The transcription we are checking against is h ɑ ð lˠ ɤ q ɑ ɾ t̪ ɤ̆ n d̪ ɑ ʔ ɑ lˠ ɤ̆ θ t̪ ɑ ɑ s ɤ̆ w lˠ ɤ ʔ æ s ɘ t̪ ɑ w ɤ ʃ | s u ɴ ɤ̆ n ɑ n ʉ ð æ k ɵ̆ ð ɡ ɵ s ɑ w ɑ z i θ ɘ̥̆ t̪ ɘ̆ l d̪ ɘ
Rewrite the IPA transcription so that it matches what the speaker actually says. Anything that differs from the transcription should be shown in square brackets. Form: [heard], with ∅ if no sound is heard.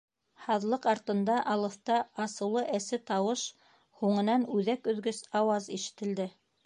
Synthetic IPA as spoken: h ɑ ð lˠ ɤ q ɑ ɾ t̪ ɤ̆ n d̪ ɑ ʔ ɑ lˠ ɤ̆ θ t̪ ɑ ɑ s ɤ̆ w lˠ ɤ ʔ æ s ɘ t̪ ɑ w ɤ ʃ | [h] u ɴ ɤ̆ n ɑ n ʉ ð æ k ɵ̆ ð ɡ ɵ s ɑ w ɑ z i [ʃ] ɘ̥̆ t̪ ɘ̆ l d̪ ɘ